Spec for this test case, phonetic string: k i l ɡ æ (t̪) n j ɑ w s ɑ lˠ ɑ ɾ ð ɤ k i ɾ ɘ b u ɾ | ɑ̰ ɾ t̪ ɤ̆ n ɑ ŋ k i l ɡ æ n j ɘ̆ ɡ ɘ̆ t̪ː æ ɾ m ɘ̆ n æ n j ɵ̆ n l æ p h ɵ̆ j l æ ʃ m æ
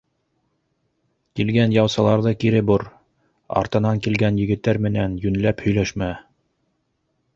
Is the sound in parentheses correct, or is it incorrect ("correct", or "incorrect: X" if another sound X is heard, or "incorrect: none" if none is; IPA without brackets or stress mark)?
incorrect: none